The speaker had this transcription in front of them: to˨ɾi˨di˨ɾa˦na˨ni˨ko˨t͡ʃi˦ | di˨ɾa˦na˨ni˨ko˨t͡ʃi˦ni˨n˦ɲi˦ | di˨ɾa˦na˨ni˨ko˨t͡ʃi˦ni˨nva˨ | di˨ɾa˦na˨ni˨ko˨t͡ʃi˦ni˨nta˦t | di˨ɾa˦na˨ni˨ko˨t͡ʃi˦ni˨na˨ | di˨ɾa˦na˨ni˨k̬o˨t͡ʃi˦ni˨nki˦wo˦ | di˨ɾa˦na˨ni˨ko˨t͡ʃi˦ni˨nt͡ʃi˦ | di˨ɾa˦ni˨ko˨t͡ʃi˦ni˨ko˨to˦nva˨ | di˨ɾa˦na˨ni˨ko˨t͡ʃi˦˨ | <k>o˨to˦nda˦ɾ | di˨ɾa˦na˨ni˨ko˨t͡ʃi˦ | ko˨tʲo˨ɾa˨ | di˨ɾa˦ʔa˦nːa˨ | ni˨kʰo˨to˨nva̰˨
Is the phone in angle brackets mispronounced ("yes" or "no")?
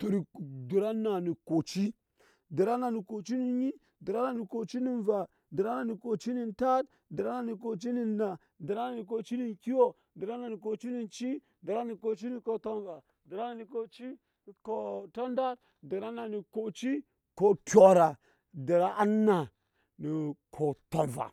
no